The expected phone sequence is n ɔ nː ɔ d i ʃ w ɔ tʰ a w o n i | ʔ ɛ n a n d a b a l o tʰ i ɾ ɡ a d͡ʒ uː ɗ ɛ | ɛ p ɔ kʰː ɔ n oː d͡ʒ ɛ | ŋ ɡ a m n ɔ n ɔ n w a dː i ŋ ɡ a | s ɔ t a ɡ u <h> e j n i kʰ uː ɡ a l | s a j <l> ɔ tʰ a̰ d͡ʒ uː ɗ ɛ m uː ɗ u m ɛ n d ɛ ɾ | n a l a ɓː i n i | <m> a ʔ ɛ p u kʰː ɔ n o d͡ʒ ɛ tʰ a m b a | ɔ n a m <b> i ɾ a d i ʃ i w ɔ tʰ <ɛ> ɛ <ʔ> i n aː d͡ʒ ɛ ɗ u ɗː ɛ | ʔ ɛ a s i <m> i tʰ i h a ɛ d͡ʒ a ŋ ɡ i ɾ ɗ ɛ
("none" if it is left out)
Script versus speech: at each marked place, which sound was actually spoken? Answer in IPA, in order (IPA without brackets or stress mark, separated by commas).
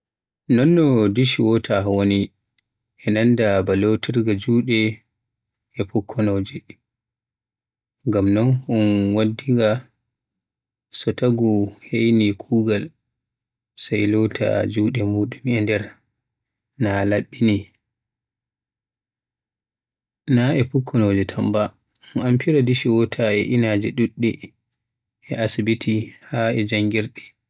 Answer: h, l, n, p, a, ʔ, b